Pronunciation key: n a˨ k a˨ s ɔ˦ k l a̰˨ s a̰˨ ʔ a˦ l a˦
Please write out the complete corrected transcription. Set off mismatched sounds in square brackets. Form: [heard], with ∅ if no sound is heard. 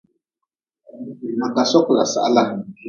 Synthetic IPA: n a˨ k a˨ s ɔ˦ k l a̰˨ s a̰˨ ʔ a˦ l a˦